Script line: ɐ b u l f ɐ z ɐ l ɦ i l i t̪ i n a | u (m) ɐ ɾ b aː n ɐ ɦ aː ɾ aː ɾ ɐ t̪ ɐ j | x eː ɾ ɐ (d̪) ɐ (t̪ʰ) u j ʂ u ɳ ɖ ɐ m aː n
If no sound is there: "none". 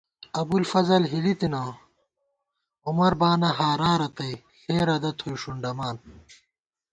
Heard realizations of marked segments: m, d̪, t̪ʰ

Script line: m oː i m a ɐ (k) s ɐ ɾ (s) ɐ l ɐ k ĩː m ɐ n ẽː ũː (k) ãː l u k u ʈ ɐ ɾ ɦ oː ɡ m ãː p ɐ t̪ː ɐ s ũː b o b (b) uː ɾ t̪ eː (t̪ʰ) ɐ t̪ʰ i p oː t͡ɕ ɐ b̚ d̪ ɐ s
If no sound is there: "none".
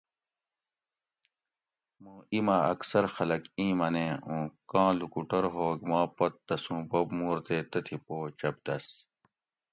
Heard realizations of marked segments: k, x, k, m, t̪

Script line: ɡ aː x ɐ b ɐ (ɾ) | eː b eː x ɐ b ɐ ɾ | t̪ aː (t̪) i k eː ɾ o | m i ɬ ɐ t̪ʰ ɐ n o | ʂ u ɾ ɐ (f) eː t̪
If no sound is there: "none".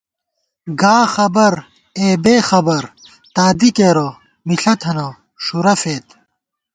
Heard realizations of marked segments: ɾ, d̪, f

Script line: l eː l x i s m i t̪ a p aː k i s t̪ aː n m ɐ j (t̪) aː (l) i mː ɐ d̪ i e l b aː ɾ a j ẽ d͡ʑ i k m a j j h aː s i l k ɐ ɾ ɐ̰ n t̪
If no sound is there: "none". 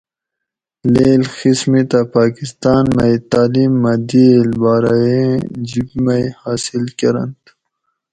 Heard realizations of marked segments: t̪, l

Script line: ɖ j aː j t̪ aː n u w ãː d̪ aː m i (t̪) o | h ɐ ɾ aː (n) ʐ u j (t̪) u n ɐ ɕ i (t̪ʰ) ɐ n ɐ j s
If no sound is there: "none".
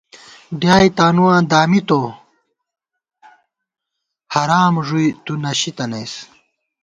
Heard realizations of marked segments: t̪, m, t̪, t̪

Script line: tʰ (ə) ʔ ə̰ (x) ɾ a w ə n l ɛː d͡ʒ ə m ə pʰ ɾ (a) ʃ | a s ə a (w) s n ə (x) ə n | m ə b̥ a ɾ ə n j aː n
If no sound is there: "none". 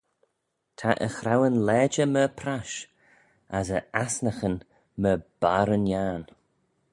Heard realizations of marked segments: a, x, a, none, x

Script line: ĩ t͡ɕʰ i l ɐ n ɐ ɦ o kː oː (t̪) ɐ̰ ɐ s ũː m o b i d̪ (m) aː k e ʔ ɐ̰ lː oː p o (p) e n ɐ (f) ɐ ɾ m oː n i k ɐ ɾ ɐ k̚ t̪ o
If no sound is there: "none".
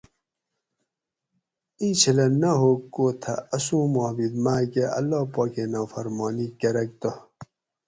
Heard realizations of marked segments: t̪ʰ, m, k, f

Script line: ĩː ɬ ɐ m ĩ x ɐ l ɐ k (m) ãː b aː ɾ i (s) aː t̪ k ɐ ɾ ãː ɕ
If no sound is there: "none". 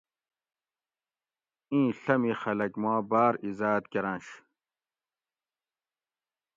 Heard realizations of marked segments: m, z

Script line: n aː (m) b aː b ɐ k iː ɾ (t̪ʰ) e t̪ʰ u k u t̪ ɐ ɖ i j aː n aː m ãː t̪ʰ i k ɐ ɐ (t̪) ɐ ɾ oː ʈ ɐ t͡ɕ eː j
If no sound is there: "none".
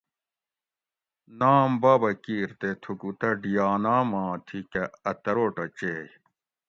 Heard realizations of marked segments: m, t̪, t̪

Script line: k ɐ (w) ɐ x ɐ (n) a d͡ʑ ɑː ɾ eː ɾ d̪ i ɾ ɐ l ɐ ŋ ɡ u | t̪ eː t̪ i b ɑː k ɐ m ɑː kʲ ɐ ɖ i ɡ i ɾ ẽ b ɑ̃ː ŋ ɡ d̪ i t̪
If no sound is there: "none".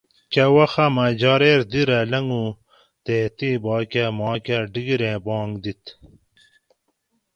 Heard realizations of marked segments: w, m

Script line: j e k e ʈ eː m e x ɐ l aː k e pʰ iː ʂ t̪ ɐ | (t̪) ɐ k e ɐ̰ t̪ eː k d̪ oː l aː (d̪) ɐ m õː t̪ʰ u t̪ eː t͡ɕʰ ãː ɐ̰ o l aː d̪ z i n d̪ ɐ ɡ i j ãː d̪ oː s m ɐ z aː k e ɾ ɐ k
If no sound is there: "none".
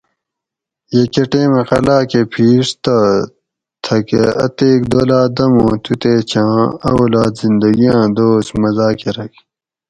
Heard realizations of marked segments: t̪ʰ, d̪

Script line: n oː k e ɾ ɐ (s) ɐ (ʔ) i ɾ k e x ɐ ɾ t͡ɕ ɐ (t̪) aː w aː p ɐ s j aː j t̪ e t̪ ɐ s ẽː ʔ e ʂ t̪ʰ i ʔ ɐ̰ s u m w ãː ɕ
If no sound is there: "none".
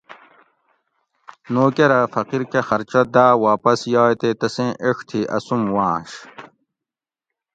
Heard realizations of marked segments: f, q, d̪

